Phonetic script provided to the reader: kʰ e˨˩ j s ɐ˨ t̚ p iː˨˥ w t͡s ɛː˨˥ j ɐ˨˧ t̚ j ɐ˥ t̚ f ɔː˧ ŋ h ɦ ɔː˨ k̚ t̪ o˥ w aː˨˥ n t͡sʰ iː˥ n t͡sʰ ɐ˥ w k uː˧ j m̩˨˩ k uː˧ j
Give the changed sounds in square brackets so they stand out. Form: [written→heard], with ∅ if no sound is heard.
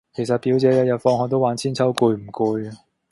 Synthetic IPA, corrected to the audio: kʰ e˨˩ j s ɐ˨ t̚ p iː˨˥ w t͡s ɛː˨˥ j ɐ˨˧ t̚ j [ɐ˥→ɐ˨] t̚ f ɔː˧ ŋ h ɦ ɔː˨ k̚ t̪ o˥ w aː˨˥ n t͡sʰ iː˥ n t͡sʰ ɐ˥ w k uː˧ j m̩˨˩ k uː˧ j

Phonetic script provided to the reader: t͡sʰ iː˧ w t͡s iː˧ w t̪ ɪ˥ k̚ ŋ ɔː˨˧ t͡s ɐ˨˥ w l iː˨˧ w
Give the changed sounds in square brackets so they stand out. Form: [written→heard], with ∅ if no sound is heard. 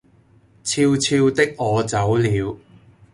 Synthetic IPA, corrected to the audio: t͡sʰ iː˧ w [t͡s→t͡sʰ] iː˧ w t̪ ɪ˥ k̚ ŋ ɔː˨˧ t͡s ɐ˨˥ w l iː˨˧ w

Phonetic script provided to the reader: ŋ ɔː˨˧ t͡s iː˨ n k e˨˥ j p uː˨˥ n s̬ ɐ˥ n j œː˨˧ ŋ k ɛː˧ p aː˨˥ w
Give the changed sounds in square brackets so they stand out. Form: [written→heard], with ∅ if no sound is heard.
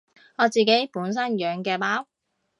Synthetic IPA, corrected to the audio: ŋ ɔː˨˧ t͡s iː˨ [n→∅] k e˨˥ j p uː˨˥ n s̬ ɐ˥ n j œː˨˧ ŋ k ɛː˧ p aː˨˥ w

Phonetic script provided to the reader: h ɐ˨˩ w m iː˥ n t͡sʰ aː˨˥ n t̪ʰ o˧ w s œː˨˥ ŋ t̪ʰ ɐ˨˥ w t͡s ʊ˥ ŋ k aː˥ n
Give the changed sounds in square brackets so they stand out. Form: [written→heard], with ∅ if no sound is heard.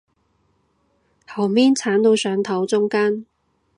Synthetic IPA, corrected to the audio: h ɐ˨˩ w m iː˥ n t͡sʰ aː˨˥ n [t̪ʰ→t̪] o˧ w s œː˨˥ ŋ t̪ʰ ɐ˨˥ w t͡s ʊ˥ ŋ k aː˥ n

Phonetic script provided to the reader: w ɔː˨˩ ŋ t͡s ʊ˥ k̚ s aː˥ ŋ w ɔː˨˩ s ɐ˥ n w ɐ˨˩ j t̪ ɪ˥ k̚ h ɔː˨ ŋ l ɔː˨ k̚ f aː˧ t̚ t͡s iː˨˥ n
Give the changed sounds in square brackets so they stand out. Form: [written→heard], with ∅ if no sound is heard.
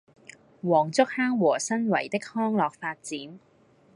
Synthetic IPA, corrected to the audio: w ɔː˨˩ ŋ t͡s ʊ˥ k̚ [s→h] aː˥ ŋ w ɔː˨˩ s ɐ˥ n w ɐ˨˩ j t̪ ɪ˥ k̚ h [ɔː˨→ɔː˥] ŋ l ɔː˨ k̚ f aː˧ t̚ t͡s iː˨˥ n

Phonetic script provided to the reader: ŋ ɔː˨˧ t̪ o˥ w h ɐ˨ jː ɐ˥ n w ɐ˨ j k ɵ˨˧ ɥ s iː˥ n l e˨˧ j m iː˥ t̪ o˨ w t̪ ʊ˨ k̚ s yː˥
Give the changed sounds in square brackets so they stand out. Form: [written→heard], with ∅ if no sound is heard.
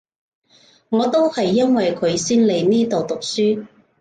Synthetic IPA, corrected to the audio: ŋ ɔː˨˧ t̪ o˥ w h ɐ˨ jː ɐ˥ n w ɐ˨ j [k→kʰ] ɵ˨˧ ɥ s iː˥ n l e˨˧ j [m→n] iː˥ t̪ o˨ w t̪ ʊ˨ k̚ s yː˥

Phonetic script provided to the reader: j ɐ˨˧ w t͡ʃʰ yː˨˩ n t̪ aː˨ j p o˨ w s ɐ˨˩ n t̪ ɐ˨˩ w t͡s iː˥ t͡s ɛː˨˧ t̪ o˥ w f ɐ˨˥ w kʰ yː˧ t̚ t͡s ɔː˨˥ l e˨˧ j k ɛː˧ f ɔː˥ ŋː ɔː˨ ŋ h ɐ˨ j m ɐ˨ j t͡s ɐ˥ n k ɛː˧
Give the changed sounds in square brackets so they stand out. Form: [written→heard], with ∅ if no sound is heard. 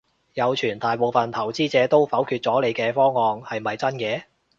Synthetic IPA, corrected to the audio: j ɐ˨˧ w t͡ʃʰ yː˨˩ n t̪ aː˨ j p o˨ w [s→f] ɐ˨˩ n [t̪→t̪ʰ] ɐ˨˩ w t͡s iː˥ t͡s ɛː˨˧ t̪ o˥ w f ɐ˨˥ w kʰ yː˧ t̚ t͡s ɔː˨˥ l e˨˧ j k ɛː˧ f ɔː˥ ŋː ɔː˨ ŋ h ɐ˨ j m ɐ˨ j t͡s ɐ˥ n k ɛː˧

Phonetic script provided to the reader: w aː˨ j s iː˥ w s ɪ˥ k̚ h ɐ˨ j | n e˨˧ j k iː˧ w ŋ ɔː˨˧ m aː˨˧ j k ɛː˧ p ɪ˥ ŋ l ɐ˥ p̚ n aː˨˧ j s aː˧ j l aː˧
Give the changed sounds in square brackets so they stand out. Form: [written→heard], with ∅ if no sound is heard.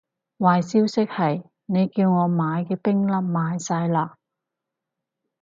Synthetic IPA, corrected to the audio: w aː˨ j s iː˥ w s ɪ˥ k̚ h ɐ˨ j | n e˨˧ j k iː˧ w ŋ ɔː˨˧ m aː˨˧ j k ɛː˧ p ɪ˥ ŋ l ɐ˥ p̚ [n→m] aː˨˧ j s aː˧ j l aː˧

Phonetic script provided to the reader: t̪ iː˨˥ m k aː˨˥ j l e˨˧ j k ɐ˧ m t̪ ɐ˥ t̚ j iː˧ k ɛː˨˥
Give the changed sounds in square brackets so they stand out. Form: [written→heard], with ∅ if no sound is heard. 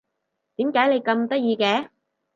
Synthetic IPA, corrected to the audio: t̪ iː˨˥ m k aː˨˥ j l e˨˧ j k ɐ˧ m t̪ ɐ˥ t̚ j iː˧ k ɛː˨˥

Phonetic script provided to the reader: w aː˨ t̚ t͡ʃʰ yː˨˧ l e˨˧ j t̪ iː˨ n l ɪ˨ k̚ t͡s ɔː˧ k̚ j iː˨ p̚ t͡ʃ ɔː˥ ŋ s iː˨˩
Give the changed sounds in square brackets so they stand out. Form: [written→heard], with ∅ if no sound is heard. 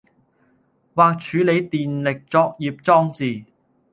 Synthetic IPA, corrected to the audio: w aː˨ [t̚→k̚] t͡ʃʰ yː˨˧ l e˨˧ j t̪ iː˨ n l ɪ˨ k̚ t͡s ɔː˧ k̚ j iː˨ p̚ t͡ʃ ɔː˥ ŋ [s→t͡s] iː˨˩

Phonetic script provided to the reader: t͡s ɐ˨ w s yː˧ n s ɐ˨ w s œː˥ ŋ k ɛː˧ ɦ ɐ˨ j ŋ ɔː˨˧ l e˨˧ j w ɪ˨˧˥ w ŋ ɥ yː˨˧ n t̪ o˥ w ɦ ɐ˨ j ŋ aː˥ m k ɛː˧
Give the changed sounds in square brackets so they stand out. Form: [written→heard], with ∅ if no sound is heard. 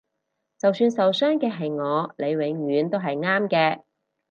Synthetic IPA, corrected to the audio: t͡s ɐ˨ w s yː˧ n s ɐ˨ w s œː˥ ŋ k ɛː˧ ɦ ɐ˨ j ŋ ɔː˨˧ l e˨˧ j w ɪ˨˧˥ [w→∅] ŋ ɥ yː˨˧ n t̪ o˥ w ɦ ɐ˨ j ŋ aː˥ m k ɛː˧

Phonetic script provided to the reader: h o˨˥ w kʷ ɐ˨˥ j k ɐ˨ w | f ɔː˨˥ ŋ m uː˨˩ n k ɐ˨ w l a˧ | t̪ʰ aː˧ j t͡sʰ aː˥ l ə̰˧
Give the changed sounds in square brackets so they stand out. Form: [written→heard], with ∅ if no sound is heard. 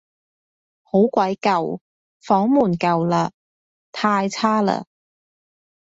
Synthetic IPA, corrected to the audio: h o˨˥ w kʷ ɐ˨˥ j k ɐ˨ w | f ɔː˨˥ ŋ m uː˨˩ n k ɐ˨ w l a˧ | t̪ʰ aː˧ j t͡sʰ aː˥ l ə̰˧

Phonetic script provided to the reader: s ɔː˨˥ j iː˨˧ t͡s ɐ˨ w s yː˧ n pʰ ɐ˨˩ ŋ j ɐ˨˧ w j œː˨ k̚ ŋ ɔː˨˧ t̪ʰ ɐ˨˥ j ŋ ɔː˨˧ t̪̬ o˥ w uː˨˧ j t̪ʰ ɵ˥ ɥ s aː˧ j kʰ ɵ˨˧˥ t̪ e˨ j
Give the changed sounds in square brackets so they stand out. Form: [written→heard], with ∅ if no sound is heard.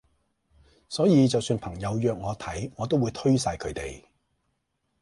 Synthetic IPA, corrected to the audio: s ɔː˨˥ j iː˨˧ t͡s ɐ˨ w s yː˧ n pʰ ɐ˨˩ ŋ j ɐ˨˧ w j œː˨ k̚ ŋ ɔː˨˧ t̪ʰ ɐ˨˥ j ŋ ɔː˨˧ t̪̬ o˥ w uː˨˧ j t̪ʰ ɵ˥ ɥ s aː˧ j kʰ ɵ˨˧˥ t̪ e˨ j

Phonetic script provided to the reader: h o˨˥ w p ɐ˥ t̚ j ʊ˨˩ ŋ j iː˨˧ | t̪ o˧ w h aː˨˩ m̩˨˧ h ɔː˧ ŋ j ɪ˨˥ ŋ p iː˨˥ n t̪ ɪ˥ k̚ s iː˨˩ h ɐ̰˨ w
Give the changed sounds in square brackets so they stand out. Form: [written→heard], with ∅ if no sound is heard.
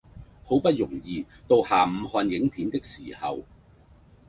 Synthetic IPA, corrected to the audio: h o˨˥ w p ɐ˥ t̚ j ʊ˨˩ ŋ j iː˨˧ | t̪ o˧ w h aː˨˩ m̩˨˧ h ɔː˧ [ŋ→n] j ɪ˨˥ ŋ [p→pʰ] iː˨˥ n t̪ ɪ˥ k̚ s iː˨˩ h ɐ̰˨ w

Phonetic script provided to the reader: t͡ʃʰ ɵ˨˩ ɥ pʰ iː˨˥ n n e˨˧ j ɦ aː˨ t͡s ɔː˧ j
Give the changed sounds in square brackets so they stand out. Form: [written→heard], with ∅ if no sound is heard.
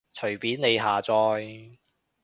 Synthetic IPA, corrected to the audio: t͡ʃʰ ɵ˨˩ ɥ [pʰ→p] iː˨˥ n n e˨˧ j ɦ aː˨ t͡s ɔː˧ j

